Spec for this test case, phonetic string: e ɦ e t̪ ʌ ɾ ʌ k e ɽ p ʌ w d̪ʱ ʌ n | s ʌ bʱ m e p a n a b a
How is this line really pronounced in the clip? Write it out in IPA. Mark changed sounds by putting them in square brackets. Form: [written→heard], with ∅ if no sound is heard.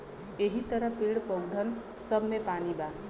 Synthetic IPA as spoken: e ɦ [e→i] t̪ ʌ ɾ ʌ [k→p] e ɽ p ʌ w d̪ʱ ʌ n | s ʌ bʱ m e p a n [a→i] b a